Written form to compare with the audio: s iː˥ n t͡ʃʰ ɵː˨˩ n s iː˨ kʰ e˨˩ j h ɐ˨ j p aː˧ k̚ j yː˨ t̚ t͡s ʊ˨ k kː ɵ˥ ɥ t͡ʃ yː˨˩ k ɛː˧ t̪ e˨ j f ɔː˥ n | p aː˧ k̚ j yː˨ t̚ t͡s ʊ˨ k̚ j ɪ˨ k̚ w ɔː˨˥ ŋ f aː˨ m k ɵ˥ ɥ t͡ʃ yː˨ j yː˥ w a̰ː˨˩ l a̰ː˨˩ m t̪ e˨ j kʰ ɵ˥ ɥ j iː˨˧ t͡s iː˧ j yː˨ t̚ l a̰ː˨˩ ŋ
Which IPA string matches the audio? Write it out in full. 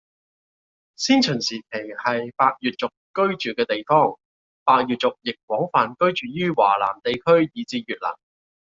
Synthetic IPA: s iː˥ n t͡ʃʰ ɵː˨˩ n s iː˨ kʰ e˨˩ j h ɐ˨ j p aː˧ k̚ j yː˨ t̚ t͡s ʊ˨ k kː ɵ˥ ɥ t͡ʃ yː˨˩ k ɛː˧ t̪ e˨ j f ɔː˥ ŋ | p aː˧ k̚ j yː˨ t̚ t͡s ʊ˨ k̚ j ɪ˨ k̚ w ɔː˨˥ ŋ f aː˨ n k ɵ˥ ɥ t͡ʃ yː˨ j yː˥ w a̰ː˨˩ l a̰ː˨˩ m t̪ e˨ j kʰ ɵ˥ ɥ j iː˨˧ t͡s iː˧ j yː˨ t̚ l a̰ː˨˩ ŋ

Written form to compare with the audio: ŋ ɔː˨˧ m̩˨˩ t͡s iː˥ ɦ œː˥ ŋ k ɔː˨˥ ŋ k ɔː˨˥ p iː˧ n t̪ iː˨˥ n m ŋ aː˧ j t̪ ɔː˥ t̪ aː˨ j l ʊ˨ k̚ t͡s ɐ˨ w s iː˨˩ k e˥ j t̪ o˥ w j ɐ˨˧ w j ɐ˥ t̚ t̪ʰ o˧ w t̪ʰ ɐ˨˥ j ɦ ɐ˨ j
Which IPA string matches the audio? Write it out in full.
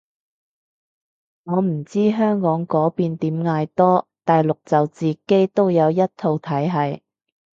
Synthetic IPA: ŋ ɔː˨˧ m̩˨˩ t͡s iː˥ ɦ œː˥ ŋ k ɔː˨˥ ŋ k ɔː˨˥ p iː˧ n t̪ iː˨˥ m ŋ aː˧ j t̪ ɔː˥ t̪ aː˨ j l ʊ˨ k̚ t͡s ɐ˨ w t͡s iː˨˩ k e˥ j t̪ o˥ w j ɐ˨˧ w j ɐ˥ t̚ t̪ʰ o˧ w t̪ʰ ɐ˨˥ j ɦ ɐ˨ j

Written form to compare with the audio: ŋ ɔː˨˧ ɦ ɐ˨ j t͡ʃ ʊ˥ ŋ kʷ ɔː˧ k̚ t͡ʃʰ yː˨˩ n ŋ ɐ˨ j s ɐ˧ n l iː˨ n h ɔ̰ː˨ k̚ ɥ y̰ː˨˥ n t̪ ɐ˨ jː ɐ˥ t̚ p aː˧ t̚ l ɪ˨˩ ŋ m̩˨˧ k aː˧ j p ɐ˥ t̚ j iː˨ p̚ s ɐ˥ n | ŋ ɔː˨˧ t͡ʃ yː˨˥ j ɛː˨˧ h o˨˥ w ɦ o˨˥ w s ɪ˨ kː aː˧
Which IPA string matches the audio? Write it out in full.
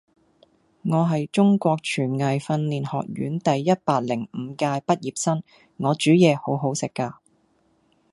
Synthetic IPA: ŋ ɔː˨˧ ɦ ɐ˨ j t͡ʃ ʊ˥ ŋ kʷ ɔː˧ k̚ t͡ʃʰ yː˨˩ n ŋ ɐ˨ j f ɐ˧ n l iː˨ n h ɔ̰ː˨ k̚ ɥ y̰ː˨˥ n t̪ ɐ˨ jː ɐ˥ t̚ p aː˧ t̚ l ɪ˨˩ ŋ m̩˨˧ k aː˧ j p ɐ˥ t̚ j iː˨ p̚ s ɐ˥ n | ŋ ɔː˨˧ t͡ʃ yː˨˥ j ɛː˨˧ h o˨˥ w ɦ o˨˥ w s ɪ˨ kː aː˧

